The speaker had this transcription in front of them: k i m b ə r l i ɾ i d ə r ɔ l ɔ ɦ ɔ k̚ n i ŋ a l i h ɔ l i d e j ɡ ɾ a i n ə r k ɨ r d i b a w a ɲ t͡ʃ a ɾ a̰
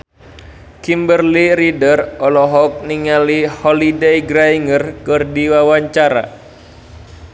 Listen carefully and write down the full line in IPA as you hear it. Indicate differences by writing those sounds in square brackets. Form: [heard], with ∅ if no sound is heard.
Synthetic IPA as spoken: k i m b ə r l i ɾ i d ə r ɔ l ɔ ɦ ɔ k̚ n i ŋ a l i h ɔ l i d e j ɡ ɾ a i [ŋ] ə r k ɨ r d i [w] a w a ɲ t͡ʃ a ɾ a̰